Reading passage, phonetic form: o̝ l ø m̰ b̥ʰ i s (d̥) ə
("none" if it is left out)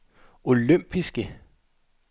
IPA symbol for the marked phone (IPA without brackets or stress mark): ɡ̥